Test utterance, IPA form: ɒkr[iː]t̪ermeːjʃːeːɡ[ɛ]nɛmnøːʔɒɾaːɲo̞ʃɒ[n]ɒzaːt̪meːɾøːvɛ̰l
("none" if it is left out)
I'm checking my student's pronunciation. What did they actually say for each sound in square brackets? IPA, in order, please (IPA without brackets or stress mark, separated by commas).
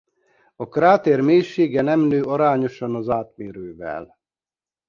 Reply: aː, ɛ, n